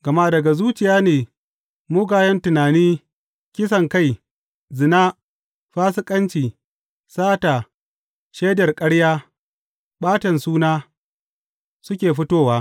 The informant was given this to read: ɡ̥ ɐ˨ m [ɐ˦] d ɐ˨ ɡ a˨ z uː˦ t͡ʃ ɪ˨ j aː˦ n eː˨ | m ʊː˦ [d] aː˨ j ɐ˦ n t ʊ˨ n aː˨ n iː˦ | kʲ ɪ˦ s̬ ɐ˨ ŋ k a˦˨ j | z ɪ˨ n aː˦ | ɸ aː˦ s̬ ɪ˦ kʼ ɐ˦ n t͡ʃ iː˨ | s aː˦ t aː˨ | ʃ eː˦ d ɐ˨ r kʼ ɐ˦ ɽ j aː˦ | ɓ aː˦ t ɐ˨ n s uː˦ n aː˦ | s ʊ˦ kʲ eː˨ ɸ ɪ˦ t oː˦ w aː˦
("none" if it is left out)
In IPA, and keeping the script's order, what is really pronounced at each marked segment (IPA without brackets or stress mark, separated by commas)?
a˦, ɡ